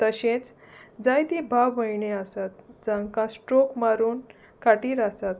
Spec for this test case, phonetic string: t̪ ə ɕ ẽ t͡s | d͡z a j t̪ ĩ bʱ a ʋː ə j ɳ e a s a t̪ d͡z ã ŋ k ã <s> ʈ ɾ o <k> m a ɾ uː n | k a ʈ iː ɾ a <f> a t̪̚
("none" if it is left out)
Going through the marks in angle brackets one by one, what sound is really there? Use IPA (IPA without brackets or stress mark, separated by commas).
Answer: s, k, s